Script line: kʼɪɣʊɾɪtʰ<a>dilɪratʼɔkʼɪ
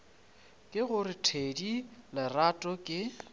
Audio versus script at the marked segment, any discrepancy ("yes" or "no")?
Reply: yes